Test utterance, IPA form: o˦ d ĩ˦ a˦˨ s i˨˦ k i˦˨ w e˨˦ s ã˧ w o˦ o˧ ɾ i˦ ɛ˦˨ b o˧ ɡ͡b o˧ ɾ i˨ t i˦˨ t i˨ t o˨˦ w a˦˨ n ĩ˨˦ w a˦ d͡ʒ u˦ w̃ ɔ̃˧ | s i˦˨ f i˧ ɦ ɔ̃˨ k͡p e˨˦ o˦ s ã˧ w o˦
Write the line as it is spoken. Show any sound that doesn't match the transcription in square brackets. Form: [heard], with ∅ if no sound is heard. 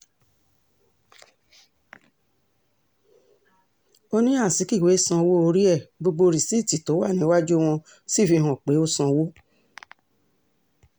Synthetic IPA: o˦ [n] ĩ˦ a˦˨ s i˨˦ k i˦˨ w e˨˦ s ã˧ w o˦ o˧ ɾ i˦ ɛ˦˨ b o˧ ɡ͡b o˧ ɾ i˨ [s] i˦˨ t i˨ t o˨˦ w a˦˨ n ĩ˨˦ w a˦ d͡ʒ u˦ w̃ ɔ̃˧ | s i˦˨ f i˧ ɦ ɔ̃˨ k͡p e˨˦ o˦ s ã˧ w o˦